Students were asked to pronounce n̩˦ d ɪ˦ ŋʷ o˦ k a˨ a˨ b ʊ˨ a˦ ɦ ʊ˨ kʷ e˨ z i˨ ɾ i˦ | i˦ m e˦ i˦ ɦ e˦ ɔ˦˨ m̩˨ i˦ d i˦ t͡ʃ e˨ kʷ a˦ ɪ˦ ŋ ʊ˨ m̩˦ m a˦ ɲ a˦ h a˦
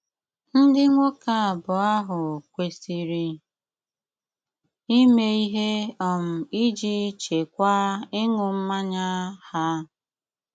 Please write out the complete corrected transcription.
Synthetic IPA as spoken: n̩˦ d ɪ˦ ŋʷ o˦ k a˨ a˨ b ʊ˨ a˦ ɦ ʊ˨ kʷ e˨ s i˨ ɾ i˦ | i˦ m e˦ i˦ ɦ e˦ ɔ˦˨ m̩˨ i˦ d͡ʒ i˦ t͡ʃ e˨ kʷ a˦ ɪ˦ ŋ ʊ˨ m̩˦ m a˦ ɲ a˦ h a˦